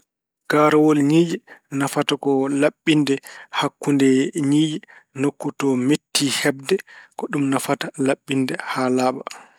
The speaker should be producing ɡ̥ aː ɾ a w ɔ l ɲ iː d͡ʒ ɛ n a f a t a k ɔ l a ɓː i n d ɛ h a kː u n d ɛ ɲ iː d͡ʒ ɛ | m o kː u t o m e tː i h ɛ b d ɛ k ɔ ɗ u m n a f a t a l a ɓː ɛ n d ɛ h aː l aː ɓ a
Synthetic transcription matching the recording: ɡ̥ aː ɾ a w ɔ l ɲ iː d͡ʒ ɛ n a f a t a k ɔ l a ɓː i n d ɛ h a kː u n d ɛ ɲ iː d͡ʒ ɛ | n o kː u t ɔ m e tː i h ɛ b d ɛ k ɔ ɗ u m n a f a t a l a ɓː i n d ɛ h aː l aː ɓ a